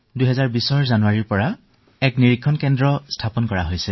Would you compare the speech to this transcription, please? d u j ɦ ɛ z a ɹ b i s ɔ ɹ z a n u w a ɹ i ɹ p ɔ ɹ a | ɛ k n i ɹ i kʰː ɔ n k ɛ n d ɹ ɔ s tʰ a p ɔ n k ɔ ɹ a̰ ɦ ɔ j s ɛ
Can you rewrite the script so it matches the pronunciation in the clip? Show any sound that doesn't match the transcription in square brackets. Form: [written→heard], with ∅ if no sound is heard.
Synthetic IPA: d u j ɦ ɛ z a ɹ b i s ɔ ɹ z a n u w a ɹ i ɹ p ɔ ɹ a | ɛ k n i ɹ i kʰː ɔ n k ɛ n d ɹ ɔ s tʰ a p ɔ n k ɔ ɹ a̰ ɦ [ɔ→o] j s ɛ